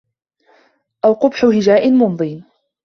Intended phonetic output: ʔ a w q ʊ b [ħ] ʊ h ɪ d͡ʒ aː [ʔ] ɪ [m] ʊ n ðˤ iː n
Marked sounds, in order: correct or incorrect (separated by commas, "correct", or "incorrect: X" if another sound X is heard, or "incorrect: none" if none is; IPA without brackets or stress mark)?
correct, correct, correct